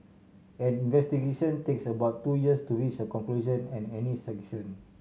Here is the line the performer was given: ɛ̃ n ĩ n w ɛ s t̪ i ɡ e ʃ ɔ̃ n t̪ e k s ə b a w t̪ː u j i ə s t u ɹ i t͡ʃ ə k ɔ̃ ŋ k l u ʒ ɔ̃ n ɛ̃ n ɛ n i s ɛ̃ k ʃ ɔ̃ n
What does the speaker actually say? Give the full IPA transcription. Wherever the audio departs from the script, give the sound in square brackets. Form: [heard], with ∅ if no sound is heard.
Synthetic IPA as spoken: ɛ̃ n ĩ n [v] ɛ s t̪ i ɡ e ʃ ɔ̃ n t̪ e k s ə b a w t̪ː u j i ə s t u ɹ i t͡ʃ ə k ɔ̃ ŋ k l u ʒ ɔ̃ n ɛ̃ n ɛ n i s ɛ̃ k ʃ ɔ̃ n